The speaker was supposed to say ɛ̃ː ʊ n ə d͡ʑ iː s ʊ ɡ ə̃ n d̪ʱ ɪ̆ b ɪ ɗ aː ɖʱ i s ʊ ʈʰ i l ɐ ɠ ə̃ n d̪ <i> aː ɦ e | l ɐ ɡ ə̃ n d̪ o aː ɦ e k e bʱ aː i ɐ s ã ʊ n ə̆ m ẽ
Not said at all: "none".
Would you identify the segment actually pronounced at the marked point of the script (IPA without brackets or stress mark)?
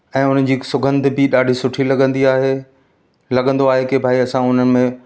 i